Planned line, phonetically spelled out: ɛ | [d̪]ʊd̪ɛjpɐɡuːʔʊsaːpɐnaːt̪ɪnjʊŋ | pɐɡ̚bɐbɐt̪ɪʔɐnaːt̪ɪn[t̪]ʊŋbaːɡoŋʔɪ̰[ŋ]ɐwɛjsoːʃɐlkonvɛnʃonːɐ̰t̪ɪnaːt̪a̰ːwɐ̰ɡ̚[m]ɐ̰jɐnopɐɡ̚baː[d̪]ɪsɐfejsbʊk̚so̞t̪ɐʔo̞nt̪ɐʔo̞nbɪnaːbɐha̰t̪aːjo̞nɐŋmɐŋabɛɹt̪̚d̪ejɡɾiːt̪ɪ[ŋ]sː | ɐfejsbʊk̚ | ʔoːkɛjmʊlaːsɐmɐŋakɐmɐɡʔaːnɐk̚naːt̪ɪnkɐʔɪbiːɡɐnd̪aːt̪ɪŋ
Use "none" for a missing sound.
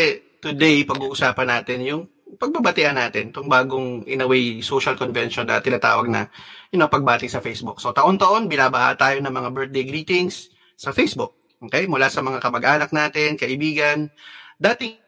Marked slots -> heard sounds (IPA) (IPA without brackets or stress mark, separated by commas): t̪, t̪, n, n, t̪, ŋ